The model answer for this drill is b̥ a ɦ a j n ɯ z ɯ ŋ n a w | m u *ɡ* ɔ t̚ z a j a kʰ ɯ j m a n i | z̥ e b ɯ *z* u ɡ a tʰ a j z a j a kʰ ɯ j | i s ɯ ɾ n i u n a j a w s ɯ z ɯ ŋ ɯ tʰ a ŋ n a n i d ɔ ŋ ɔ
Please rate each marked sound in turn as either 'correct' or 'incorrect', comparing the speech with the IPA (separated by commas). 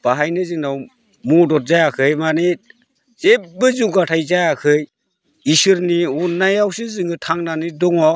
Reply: incorrect, correct